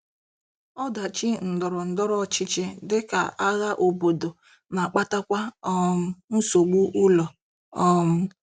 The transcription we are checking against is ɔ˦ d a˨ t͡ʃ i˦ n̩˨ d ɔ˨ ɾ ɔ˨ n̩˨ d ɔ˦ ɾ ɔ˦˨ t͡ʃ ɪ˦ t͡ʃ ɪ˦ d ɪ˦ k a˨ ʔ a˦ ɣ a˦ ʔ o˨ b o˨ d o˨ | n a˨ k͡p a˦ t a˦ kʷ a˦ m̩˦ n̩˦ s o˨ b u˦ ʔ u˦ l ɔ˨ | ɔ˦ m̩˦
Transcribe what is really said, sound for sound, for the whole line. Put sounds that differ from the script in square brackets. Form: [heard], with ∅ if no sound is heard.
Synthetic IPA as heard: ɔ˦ d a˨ t͡ʃ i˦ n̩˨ d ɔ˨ ɾ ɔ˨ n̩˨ d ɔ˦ ɾ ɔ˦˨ t͡ʃ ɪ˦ t͡ʃ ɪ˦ d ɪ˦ k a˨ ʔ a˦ ɣ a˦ ʔ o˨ b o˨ d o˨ | n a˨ k͡p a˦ t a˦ kʷ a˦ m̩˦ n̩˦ s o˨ [ɡ͡b] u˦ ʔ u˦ l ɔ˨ | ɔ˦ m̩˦